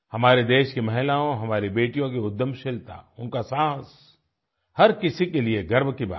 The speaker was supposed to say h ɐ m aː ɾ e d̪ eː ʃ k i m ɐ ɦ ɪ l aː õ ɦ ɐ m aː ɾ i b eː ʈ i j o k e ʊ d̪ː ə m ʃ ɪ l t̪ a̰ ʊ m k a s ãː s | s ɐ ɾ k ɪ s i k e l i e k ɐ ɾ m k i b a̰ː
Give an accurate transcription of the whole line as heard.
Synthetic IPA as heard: h ɐ m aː ɾ e d̪ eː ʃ k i m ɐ ɦ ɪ l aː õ ɦ ɐ m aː ɾ i b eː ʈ i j õ k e ʊ d̪ː ə m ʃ ɪ l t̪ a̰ ʊ n k a s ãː s | h ɐ ɾ k ɪ s i k e l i e ɡ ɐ ɾ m k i b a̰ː